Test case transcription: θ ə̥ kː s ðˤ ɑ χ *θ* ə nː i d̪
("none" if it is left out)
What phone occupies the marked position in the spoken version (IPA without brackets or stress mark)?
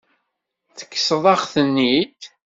θ